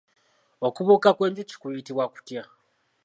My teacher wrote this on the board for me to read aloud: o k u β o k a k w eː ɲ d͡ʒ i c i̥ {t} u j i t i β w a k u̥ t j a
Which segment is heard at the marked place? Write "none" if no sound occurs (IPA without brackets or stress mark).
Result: k